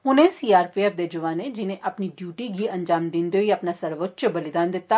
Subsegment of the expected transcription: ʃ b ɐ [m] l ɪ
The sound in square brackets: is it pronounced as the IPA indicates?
no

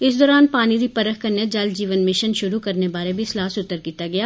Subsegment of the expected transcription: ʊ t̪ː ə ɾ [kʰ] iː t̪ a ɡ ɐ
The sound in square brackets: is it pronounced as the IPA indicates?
no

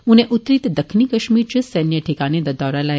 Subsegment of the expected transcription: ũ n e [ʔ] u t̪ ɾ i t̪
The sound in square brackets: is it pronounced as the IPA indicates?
yes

